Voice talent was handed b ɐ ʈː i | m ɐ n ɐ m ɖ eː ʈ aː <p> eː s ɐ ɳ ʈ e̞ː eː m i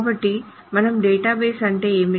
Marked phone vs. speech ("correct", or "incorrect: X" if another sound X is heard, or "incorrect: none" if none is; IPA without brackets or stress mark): incorrect: b